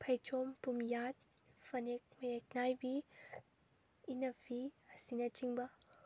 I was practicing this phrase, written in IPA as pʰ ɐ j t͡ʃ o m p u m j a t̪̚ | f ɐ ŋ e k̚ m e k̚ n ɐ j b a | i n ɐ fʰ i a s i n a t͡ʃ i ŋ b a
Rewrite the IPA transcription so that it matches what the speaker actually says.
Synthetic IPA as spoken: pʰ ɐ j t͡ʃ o m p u m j a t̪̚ | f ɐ n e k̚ m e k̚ n a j b i | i n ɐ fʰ i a s i n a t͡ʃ i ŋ b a